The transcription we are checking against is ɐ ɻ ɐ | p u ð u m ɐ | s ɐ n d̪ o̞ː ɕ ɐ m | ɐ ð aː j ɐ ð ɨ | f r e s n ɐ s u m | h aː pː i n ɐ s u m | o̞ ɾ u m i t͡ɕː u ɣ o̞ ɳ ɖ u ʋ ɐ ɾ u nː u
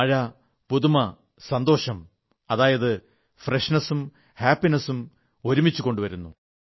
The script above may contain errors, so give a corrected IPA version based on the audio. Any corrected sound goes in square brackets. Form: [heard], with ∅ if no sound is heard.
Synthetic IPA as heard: ɐ ɻ ɐ | p u ð u m ɐ | s ɐ n d̪ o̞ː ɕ ɐ m | ɐ ð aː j ɐ ð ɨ | f r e [ʂ] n ɐ s u m | h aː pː i n ɐ s u m | o̞ ɾ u m i t͡ɕː u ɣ o̞ ɳ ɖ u ʋ ɐ ɾ u nː u